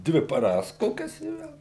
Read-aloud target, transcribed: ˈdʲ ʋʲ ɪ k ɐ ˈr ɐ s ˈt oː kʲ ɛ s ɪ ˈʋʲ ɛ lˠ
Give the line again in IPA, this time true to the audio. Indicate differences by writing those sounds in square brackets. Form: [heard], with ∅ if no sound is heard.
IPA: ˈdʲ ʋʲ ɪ [p] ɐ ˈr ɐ s [ˈk] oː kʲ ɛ s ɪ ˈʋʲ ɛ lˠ